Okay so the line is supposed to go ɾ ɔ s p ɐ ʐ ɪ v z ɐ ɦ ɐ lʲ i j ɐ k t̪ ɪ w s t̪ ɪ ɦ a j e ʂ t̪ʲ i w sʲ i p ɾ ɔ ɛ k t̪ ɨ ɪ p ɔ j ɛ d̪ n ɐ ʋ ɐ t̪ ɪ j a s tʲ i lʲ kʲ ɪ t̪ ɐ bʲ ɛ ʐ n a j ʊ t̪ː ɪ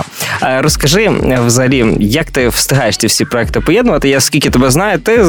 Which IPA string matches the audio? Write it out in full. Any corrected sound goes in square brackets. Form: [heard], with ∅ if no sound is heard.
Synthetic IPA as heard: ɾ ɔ s [k] ɐ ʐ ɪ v z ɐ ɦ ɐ lʲ i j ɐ k t̪ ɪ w s t̪ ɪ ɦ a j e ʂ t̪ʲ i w sʲ i p ɾ ɔ ɛ k t̪ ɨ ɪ p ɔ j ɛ d̪ n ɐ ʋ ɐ t̪ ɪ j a s [kʲ] i lʲ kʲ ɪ t̪ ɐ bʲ ɛ [z] n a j ʊ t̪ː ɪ